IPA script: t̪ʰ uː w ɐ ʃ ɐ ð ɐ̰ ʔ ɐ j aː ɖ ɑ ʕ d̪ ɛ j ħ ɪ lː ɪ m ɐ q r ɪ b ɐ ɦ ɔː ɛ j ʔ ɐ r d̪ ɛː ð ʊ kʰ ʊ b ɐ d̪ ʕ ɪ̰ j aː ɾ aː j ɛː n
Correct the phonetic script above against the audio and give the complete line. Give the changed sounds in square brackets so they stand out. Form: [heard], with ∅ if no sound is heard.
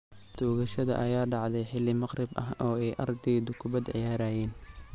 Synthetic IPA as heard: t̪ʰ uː [ɣ] ɐ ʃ ɐ ð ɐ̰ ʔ ɐ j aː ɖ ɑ ʕ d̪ ɛ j ħ ɪ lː ɪ m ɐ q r ɪ b ɐ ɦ ɔː ɛ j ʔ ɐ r d̪ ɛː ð ʊ kʰ ʊ b ɐ d̪ ʕ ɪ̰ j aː ɾ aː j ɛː n